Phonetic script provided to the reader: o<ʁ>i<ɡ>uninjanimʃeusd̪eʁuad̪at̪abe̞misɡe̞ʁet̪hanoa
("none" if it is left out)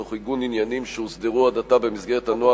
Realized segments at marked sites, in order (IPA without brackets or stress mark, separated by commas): χ, ɡ